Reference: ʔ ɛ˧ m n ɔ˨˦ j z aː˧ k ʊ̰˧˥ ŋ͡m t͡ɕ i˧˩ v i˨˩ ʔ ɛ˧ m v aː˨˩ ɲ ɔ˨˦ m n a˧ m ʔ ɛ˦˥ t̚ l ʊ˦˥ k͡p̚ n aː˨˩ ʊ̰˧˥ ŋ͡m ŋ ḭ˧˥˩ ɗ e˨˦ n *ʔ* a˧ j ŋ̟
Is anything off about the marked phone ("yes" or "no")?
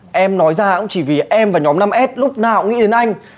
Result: no